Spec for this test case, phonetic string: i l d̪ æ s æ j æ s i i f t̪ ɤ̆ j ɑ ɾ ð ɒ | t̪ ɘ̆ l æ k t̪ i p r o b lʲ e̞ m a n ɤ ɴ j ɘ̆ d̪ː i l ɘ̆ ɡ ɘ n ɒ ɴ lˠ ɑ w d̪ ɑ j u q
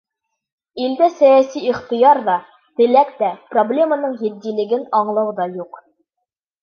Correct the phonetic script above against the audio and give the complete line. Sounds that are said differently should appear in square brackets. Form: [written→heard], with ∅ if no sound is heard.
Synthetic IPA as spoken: i l d̪ æ s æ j æ s i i [f→χ] t̪ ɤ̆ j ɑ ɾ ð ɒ | t̪ ɘ̆ l æ k t̪ [i→æ] p r o b lʲ e̞ m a n ɤ ɴ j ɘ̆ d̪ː i l ɘ̆ ɡ ɘ n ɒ ɴ lˠ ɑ w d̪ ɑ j u q